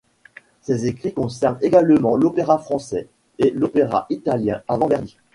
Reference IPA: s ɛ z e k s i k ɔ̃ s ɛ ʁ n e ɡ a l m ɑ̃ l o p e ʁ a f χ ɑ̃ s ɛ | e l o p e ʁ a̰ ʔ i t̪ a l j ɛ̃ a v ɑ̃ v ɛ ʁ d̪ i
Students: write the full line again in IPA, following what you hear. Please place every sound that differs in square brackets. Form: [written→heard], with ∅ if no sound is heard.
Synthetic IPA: s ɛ z e k [s→χ] i k ɔ̃ s ɛ ʁ n e ɡ a l m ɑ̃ l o p e ʁ a f χ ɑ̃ s ɛ | e l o p e ʁ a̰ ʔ i t̪ a l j ɛ̃ a v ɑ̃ v ɛ ʁ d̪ i

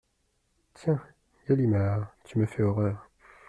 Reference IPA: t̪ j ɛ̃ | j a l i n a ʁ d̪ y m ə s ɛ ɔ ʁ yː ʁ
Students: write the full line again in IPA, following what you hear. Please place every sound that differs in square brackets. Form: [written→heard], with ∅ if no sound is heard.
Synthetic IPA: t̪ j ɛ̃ | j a l i [n→m] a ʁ [d̪→t̪] y m ə [s→f] ɛ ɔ ʁ [yː→œː] ʁ

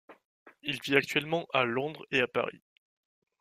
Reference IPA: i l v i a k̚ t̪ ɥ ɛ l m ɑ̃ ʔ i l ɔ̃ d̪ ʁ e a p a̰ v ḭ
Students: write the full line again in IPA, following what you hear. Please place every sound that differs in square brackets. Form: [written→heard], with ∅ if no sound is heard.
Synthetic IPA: i l v i a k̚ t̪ ɥ ɛ l m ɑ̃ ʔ [i→a] l ɔ̃ d̪ ʁ e a p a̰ [v→ʁ] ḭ

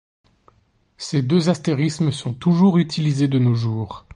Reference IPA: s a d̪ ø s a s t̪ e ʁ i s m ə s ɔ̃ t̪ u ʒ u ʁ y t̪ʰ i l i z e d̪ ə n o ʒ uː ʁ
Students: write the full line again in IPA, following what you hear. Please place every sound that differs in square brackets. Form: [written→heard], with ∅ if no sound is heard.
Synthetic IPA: s [a→e] d̪ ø [s→z] a s t̪ e ʁ i s m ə s ɔ̃ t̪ u ʒ u ʁ y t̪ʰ i l i z e d̪ ə n o ʒ uː ʁ

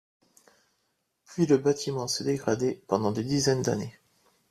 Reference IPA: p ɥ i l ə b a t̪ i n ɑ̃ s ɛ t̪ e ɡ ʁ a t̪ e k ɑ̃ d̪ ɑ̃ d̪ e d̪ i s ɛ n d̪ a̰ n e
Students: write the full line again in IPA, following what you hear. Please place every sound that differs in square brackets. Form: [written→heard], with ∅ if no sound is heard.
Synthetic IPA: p ɥ i l ə b a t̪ i [n→m] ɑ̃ s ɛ [t̪→d̪] e ɡ ʁ a [t̪→d̪] e [k→p] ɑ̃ d̪ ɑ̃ d̪ e d̪ i [s→z] ɛ n d̪ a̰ n e

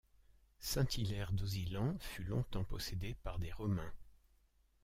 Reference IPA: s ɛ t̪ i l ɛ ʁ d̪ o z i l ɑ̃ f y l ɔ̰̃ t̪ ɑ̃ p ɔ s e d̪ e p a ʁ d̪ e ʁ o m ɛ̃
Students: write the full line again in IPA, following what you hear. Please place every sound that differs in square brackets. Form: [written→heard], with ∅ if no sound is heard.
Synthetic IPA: s [ɛ→ɛ̃] t̪ i l ɛ ʁ d̪ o z i l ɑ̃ f y l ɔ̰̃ t̪ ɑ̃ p ɔ s e d̪ e p a ʁ d̪ e ʁ [o→ɔ] m ɛ̃

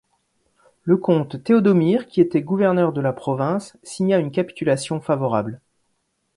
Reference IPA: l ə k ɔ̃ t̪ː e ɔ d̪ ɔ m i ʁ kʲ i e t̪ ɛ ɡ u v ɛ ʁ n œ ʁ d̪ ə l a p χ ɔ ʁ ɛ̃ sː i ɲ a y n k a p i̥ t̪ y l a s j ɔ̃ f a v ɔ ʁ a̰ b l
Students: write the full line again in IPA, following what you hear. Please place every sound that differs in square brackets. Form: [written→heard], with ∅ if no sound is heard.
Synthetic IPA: l ə k ɔ̃ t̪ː e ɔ d̪ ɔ m i ʁ kʲ i e t̪ ɛ ɡ u v ɛ ʁ n œ ʁ d̪ ə l a p χ ɔ [ʁ→v] ɛ̃ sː i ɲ a y n k a p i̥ t̪ y l a s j ɔ̃ f a v ɔ ʁ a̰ b l

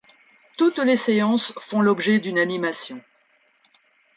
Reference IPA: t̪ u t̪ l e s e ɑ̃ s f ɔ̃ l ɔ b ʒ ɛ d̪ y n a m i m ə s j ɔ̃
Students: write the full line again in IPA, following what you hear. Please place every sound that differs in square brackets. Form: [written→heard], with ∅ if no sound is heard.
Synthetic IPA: t̪ u t̪ l e s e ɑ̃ s f ɔ̃ l ɔ b ʒ ɛ d̪ y n a [m→n] i m [ə→a] s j ɔ̃

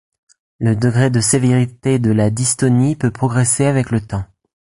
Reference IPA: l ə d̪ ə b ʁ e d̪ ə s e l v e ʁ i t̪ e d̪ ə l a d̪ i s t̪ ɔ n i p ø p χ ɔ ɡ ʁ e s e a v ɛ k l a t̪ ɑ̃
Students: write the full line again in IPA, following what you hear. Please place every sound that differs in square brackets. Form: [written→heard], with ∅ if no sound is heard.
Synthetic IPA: l ə d̪ ə [b→ɡ] ʁ e d̪ ə s e [l→∅] v e ʁ i t̪ e d̪ ə l a d̪ i s t̪ ɔ n i p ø p χ ɔ ɡ ʁ e s e a v ɛ k l [a→ə] t̪ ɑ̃

